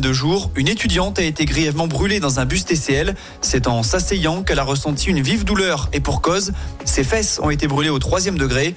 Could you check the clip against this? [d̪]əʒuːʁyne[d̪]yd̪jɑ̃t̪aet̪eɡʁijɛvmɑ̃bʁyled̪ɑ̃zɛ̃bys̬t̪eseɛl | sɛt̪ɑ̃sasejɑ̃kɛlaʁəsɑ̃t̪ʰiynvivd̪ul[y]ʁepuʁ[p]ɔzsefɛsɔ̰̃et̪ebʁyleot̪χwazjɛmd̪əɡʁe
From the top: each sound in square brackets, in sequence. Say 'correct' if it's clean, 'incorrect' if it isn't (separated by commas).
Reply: correct, incorrect, incorrect, incorrect